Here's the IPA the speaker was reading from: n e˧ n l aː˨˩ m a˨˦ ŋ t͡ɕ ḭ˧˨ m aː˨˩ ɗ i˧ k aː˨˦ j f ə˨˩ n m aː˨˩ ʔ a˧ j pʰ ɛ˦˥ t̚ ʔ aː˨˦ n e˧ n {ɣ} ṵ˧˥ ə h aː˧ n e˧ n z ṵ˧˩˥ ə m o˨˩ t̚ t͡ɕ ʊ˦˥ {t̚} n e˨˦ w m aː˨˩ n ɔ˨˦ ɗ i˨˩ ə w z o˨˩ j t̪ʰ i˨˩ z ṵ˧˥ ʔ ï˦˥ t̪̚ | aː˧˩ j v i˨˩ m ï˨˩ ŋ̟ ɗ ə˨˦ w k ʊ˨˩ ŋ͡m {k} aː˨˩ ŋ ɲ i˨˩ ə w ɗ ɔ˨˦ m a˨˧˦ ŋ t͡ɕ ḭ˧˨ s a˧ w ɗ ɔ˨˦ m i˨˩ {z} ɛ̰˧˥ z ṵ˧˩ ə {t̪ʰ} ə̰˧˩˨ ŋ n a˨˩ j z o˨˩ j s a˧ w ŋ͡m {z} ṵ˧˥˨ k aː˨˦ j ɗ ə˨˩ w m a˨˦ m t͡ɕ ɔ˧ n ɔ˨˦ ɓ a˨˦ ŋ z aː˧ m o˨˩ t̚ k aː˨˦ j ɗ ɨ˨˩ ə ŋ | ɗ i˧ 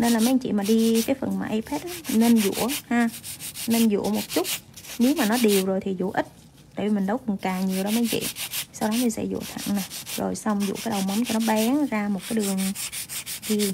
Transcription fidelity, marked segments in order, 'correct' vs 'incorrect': incorrect: z, correct, correct, incorrect: s, correct, correct

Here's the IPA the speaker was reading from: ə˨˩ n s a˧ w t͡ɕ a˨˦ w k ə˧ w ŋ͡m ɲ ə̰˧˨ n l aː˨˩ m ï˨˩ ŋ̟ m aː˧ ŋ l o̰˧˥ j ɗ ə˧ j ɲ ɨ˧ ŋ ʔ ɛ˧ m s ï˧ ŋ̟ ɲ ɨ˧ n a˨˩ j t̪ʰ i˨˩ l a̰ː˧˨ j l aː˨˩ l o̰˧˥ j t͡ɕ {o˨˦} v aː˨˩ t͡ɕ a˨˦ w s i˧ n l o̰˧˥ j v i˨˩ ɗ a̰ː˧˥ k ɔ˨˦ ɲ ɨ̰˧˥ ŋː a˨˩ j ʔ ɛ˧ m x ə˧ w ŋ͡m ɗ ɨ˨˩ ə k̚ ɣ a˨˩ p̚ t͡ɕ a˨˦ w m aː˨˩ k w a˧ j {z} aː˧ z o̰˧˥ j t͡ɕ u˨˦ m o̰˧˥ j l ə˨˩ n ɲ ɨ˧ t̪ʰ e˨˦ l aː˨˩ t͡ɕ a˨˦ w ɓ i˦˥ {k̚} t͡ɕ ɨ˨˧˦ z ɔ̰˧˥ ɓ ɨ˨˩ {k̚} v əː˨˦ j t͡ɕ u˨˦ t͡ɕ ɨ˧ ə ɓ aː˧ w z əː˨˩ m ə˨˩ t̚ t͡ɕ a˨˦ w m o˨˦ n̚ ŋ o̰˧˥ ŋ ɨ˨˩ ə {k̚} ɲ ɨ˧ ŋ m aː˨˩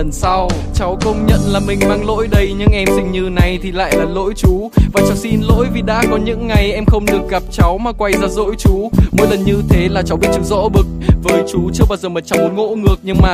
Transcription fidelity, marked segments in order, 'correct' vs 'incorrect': incorrect: u˨˦, correct, incorrect: t̚, correct, correct

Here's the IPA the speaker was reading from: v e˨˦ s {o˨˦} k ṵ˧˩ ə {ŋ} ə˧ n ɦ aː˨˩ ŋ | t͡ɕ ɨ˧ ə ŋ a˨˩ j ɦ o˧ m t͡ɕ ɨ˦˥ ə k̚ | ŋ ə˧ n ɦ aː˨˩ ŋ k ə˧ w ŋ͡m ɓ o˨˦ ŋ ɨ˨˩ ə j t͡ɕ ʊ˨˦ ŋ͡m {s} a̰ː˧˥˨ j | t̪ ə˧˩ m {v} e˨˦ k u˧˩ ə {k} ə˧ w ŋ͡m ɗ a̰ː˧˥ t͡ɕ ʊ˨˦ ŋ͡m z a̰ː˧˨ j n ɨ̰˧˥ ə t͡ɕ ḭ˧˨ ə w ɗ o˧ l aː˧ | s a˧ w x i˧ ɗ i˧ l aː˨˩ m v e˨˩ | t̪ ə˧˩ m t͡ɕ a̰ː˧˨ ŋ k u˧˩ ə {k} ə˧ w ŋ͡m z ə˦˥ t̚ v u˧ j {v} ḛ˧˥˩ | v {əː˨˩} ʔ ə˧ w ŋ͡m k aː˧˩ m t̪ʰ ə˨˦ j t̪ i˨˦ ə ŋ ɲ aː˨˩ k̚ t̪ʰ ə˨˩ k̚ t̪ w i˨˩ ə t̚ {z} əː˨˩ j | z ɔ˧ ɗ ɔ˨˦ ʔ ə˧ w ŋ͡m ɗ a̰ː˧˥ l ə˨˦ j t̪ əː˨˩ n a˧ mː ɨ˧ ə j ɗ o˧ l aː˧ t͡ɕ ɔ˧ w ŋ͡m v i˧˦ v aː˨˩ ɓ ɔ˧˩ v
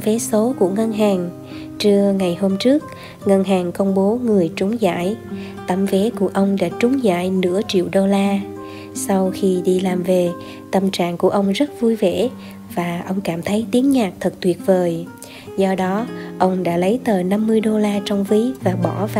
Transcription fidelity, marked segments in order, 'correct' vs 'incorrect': correct, correct, incorrect: z, correct, incorrect: ʔ, incorrect: ʔ, correct, incorrect: aː˨˩, incorrect: v

